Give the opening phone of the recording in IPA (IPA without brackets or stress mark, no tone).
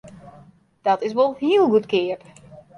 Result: d̥